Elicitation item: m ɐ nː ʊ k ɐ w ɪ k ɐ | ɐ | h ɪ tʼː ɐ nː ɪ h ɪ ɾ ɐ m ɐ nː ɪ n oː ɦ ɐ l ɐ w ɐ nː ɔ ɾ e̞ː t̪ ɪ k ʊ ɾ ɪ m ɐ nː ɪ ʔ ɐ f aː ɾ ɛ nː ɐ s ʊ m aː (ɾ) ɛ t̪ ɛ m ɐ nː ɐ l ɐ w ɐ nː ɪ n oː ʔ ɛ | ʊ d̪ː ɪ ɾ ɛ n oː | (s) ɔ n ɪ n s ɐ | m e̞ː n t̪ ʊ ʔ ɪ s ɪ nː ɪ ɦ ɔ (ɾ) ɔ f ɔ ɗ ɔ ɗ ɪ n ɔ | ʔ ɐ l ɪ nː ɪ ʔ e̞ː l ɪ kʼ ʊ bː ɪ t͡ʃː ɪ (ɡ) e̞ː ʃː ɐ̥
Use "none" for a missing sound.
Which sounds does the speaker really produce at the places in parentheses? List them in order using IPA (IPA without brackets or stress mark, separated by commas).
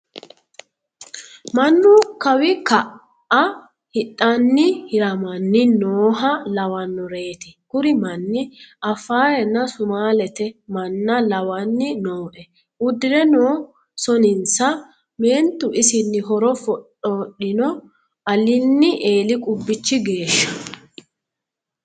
l, s, ɾ, ɡ